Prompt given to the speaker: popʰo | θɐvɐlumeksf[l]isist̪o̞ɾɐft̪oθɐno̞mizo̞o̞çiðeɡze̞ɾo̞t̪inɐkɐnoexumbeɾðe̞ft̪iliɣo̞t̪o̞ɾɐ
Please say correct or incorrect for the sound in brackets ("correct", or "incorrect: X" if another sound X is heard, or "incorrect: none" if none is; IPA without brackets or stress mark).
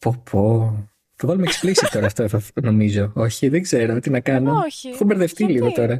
correct